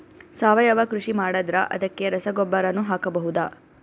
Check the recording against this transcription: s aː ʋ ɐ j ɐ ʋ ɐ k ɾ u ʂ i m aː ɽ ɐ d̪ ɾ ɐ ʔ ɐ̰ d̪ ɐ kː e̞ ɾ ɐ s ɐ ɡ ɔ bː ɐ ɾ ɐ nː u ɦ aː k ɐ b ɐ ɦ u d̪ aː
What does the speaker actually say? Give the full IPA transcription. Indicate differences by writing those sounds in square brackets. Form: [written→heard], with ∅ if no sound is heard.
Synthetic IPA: s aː ʋ ɐ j ɐ ʋ ɐ k ɾ u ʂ i m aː ɽ ɐ d̪ ɾ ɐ ʔ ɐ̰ d̪ ɐ kː e̞ ɾ ɐ s ɐ ɡ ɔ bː ɐ ɾ ɐ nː u ɦ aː k ɐ b ɐ ɦ u d̪ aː

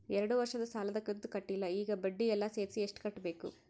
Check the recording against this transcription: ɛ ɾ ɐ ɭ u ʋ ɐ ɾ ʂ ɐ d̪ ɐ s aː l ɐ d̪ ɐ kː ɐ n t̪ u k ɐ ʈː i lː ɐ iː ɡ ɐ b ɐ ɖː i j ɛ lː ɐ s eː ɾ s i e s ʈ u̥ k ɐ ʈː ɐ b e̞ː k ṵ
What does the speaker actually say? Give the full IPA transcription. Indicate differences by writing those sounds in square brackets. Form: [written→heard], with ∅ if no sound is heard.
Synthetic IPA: ɛ ɾ ɐ [ɭ→ɽ] u ʋ ɐ ɾ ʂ ɐ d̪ ɐ s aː l ɐ d̪ ɐ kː ɐ n t̪ u k ɐ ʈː i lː ɐ iː ɡ ɐ b ɐ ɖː i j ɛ lː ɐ s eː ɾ s i e [s→ʂ] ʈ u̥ k ɐ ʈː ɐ b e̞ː k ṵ

